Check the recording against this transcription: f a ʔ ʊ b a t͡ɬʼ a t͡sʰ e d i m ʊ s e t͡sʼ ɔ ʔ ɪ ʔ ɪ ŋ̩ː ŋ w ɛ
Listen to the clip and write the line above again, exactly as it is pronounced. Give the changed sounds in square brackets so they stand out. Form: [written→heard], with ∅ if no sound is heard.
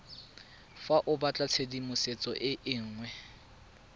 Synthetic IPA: f a ʔ ʊ b a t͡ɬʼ a t͡sʰ e d i m ʊ s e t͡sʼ ɔ ʔ ɪ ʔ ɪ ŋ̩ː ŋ w ɛ